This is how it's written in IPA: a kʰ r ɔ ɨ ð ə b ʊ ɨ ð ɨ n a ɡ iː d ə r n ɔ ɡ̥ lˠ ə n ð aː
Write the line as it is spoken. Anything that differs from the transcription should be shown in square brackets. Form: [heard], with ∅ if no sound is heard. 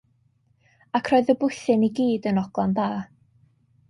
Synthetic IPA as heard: a kʰ r ɔ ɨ ð ə b ʊ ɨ [θ] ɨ n [i] ɡ iː d ə [∅] n ɔ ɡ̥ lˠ [a] n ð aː

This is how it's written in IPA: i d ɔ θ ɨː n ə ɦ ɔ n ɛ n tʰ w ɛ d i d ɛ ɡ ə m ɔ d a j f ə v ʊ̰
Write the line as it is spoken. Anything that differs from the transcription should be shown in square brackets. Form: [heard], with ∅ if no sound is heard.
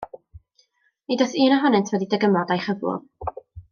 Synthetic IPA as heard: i d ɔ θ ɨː n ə ɦ ɔ n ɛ n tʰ w ɛ d i d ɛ ɡ ə m ɔ d a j [χ] ə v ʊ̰

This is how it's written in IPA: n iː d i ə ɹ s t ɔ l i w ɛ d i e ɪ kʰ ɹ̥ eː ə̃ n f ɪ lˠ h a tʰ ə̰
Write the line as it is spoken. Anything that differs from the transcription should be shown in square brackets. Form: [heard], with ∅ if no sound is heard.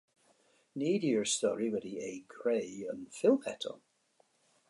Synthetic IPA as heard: n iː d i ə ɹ s t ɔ [ɹ] i w ɛ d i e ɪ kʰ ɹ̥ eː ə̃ n f ɪ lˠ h [ɛ] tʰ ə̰

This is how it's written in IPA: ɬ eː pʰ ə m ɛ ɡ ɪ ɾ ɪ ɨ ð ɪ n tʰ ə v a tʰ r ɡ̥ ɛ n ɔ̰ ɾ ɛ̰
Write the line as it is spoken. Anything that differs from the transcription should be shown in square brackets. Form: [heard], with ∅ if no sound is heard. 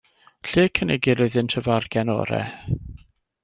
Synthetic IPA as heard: ɬ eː [kʰ] ə [n] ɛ ɡ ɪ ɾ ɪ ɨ ð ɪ n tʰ ə v a [∅] r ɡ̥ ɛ n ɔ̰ ɾ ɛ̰

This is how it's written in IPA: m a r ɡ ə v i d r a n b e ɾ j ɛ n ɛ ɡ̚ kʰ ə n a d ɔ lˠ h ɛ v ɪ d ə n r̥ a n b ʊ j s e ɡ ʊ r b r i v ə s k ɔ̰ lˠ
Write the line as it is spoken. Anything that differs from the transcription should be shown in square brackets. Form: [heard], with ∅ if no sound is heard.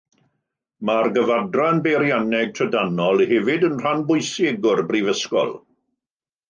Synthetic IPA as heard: m a r ɡ ə v [a] d r a n b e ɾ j [a] n ɛ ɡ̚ [tʰ] ə [d] a [n] ɔ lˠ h ɛ v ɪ d ə n r̥ a n b ʊ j s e ɡ ʊ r b r i v ə s k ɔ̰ lˠ

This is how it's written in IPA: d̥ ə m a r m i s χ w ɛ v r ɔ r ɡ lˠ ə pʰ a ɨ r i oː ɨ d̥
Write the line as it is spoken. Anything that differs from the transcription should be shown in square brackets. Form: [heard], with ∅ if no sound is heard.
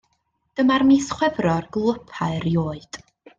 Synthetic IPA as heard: d̥ ə m a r m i s χ w ɛ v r ɔ r ɡ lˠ ə pʰ a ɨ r [j] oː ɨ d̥

